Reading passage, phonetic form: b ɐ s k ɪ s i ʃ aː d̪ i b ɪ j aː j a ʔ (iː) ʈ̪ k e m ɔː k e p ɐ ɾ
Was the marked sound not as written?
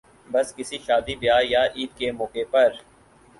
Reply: no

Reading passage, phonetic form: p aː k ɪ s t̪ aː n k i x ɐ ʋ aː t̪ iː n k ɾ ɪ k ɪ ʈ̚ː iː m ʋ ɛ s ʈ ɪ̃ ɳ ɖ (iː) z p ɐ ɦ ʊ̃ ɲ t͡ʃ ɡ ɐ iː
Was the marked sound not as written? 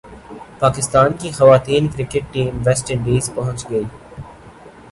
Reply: no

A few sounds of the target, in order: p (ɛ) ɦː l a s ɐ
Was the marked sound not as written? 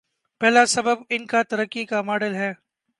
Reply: no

